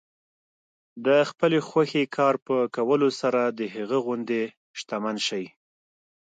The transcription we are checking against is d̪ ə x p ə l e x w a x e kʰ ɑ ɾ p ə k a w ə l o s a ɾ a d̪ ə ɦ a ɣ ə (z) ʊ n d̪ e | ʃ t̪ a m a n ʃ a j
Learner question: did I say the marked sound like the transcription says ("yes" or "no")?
no